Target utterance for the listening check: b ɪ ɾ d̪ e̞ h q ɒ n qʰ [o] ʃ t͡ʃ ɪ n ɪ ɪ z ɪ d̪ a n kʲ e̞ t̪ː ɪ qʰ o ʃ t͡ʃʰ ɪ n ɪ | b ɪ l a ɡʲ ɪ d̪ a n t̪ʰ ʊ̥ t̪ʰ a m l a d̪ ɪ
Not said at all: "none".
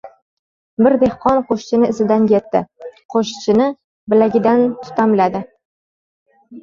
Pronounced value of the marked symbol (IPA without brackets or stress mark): o